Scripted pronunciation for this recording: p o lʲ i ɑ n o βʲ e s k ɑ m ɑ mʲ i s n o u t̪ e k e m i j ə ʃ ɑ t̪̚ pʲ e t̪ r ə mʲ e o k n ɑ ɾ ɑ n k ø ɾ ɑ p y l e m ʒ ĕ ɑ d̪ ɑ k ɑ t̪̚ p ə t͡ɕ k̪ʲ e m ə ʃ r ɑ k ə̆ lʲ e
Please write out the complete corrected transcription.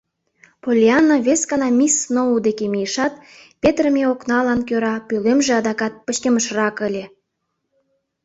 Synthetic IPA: p o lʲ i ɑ n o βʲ e s k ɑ n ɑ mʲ i s n o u d̪ e k e m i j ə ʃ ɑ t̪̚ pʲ e t̪ r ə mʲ e o k n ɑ l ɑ n k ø ɾ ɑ p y l e m ʒ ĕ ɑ d̪ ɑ k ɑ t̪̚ p ə t͡ɕ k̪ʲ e m ə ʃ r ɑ k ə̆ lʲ e